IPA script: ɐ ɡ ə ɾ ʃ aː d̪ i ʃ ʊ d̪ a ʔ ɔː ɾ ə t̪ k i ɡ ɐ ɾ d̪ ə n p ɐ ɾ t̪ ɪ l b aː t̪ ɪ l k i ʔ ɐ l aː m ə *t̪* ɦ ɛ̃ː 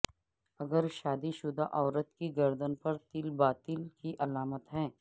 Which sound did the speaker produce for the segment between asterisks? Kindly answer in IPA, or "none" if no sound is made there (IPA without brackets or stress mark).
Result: t̪